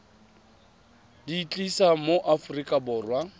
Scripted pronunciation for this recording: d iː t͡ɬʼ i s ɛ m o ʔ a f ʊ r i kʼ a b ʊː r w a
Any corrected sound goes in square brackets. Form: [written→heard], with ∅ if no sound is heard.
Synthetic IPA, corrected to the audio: d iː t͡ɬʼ i s [ɛ→a] m o ʔ a f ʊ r i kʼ a b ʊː r w a